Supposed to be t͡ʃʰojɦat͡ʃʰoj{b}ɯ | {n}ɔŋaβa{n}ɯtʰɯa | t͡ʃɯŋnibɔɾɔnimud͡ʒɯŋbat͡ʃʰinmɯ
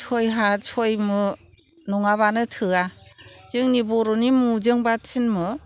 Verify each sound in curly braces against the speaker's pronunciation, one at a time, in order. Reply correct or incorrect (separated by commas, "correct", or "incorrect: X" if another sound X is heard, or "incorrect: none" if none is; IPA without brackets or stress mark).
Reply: incorrect: m, correct, correct